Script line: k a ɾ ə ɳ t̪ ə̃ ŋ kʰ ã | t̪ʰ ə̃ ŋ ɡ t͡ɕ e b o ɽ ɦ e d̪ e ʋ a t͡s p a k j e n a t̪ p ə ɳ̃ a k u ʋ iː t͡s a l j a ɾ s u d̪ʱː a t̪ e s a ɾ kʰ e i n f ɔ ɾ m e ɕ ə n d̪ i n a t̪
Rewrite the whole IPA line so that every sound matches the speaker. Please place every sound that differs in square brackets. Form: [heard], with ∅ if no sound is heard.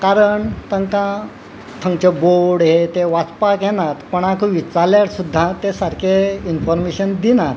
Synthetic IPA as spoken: k a ɾ ə ɳ t̪ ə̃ ŋ [k] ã | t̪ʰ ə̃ ŋ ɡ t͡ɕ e b o ɽ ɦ e [t̪] e ʋ a t͡s p a k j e n a t̪ p ə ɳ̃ a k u ʋ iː t͡s a l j a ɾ s u d̪ʱː a t̪ e s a ɾ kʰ e i n f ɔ ɾ m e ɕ ə n d̪ i n a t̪